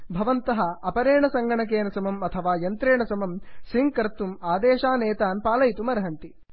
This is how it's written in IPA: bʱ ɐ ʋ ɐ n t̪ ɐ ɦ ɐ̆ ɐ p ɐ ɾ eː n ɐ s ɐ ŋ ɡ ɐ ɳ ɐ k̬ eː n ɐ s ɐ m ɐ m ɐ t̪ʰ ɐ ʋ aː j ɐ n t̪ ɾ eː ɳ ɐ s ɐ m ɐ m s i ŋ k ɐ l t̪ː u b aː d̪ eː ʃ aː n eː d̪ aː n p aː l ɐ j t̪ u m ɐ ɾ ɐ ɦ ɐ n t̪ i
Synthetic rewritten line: bʱ ɐ ʋ ɐ n t̪ ɐ ɦ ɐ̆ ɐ p ɐ ɾ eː ɳ ɐ s ɐ ŋ ɡ ɐ ɳ ɐ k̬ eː n ɐ s ɐ m ɐ m ɐ t̪ʰ ɐ ʋ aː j ɐ n t̪ ɾ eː ɳ ɐ s ɐ m ɐ m s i ŋ k ɐ ɾ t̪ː u m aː d̪ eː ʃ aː n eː t̪ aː n p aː l ɐ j t̪ u m ɐ ɾ ɐ ɦ ɐ n t̪ i